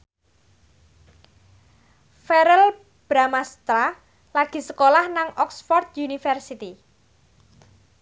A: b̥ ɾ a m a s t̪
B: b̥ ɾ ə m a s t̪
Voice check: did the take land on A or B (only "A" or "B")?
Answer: A